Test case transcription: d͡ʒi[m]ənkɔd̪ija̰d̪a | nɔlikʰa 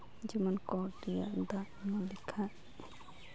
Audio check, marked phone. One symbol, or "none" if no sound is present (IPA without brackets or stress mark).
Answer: m